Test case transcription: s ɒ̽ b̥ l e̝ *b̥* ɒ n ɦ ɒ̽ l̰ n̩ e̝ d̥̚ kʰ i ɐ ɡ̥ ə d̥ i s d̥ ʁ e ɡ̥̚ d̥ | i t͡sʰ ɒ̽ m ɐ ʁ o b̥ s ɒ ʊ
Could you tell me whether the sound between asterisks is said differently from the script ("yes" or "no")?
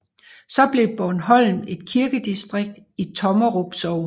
no